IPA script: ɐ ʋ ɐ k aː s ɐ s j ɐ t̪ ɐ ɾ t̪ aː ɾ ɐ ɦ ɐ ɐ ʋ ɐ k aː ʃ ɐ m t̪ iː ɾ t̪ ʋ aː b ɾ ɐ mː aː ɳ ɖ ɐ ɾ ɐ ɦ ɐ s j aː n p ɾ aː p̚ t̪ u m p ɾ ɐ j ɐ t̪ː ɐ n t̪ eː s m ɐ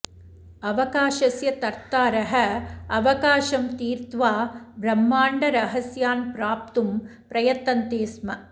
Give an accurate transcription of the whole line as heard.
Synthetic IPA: ɐ ʋ ɐ k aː ʃ ɐ s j ɐ t̪ ɐ ɾ t̪ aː ɾ ɐ ɦ ɐ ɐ ʋ ɐ k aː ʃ ɐ m t̪ iː ɾ t̪ ʋ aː b ɾ ɐ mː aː ɳ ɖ ɐ ɾ ɐ ɦ ɐ s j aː n p ɾ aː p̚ t̪ u m p ɾ ɐ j ɐ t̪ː ɐ n t̪ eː s m ɐ